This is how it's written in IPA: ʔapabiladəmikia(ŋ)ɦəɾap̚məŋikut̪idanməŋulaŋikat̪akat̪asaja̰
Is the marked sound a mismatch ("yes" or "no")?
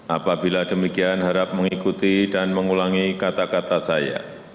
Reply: yes